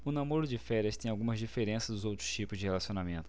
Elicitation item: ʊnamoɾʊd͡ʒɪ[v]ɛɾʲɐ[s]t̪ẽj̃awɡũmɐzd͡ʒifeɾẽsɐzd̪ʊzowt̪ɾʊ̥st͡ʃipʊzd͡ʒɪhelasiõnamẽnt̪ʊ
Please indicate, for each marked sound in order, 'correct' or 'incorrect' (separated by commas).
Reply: incorrect, correct